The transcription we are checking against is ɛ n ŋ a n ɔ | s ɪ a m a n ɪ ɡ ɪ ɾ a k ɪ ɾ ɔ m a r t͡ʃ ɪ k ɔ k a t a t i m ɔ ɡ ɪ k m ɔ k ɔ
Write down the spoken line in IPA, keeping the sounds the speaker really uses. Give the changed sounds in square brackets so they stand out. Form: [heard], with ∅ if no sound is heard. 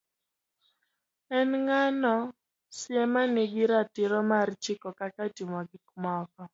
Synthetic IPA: ɛ n ŋ a n ɔ | s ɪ [ɛ] m a n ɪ ɡ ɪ ɾ a [t] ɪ ɾ ɔ m a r t͡ʃ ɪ k ɔ k a [k] a t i m ɔ ɡ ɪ k m ɔ k ɔ

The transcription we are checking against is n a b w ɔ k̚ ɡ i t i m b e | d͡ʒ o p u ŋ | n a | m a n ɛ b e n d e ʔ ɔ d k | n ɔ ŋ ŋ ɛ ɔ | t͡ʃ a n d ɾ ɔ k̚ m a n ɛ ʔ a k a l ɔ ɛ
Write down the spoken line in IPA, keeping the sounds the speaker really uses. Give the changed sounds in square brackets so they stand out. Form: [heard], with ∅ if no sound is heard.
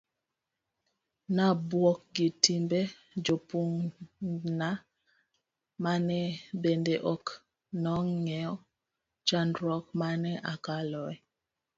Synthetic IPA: n a b w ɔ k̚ ɡ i t i m b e | d͡ʒ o p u ŋ | n a | m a n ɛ b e n d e ʔ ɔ [∅] k | n ɔ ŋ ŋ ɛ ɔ | t͡ʃ a n d ɾ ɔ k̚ m a n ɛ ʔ a k a l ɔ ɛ

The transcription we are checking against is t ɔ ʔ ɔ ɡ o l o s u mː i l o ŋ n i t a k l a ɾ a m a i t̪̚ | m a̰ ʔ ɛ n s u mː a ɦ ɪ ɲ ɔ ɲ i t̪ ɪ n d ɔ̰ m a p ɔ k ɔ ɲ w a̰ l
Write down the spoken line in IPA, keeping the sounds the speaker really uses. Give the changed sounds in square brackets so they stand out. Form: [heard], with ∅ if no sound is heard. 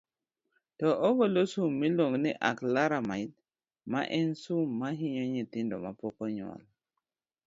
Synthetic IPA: t ɔ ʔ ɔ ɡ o l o s u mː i l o ŋ n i [ʔ] a k l a ɾ a m a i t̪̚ | m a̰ ʔ ɛ n s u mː a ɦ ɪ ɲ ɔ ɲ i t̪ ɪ n d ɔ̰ m a p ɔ k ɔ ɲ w a̰ l

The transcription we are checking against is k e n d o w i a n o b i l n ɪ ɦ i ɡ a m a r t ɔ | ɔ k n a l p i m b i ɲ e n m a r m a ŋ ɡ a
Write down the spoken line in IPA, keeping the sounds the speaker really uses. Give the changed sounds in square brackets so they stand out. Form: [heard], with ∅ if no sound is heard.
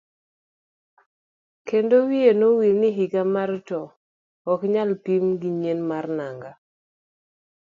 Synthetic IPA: k e n d o w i [e] n o [w] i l n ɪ ɦ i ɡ a m a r t ɔ | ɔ k [ɲ] a l p i m [ɡ] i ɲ e n m a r [n] a ŋ ɡ a

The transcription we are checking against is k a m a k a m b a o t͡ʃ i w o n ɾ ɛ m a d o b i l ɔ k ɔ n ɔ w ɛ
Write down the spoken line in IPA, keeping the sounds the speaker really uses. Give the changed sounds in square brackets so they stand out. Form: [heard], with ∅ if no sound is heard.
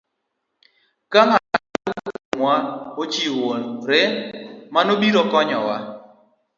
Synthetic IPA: k a m a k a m [w] a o t͡ʃ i w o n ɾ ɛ m a [n] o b i [ɾ] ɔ k ɔ [ɲ] ɔ w [a]

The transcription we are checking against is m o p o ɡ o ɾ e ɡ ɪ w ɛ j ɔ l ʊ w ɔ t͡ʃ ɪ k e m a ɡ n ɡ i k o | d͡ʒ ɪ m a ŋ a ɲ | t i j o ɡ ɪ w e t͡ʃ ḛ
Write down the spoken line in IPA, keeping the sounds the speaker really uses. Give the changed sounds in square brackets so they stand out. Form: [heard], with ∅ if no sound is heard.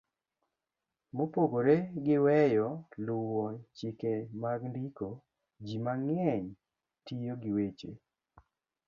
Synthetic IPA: m o p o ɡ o ɾ e ɡ ɪ w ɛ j ɔ l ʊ w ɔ t͡ʃ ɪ k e m a ɡ n [d] i k o | d͡ʒ [i] m a ŋ [ɛ] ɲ | t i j o ɡ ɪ w e t͡ʃ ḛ

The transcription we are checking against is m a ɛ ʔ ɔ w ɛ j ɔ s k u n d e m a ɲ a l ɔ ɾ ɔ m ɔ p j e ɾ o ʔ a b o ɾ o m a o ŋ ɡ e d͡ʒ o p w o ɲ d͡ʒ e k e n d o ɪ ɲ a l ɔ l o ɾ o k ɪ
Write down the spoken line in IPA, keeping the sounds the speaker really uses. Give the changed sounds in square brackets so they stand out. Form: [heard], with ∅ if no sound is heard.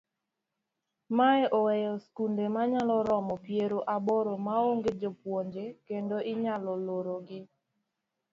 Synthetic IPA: m a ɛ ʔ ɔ w ɛ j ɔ s k u n d e m a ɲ a l ɔ ɾ ɔ m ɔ p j e ɾ o ʔ a b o ɾ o m a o ŋ ɡ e d͡ʒ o p w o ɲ d͡ʒ e k e n d o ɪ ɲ a l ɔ l o ɾ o [ɡ] ɪ

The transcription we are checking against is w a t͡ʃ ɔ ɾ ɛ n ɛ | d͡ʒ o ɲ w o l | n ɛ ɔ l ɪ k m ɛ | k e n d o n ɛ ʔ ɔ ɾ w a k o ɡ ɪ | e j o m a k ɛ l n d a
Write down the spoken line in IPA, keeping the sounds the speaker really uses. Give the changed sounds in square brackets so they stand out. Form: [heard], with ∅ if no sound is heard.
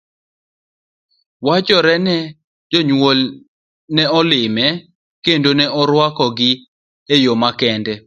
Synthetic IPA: w a t͡ʃ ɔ ɾ ɛ n ɛ | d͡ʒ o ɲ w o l | n ɛ ɔ l ɪ [∅] m ɛ | k e n d o n ɛ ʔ ɔ ɾ w a k [ɔ] ɡ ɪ | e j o m a k ɛ [∅] n d [ɛ]

